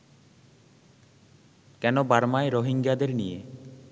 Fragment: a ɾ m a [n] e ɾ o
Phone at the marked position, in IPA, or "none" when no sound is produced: none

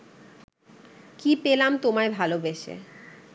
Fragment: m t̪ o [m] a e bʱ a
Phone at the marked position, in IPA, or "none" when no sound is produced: m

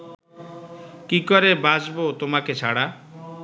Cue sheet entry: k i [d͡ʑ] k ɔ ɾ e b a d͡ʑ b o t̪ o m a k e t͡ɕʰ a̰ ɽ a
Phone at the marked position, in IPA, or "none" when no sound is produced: none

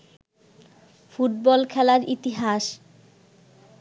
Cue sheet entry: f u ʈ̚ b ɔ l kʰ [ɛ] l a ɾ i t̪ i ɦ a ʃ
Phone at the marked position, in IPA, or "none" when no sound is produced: ɛ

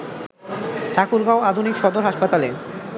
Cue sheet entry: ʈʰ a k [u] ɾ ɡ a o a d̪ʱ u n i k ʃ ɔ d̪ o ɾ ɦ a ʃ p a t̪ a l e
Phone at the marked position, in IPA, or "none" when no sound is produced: u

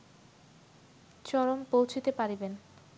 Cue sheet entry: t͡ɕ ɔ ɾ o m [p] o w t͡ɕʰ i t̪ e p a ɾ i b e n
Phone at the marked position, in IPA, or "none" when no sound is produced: p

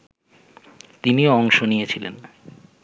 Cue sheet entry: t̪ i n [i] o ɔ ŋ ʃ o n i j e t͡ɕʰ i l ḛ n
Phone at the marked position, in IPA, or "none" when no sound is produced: i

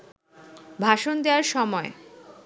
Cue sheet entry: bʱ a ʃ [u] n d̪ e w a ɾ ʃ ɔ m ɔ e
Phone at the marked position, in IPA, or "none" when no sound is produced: o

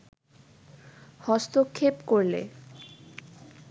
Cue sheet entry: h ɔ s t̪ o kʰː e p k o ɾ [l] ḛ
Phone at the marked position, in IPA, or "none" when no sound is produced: l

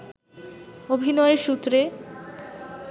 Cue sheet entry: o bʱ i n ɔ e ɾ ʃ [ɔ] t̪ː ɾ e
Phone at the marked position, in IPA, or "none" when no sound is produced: u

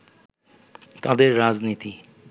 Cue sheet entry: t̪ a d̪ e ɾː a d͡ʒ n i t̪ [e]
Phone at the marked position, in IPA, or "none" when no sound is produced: i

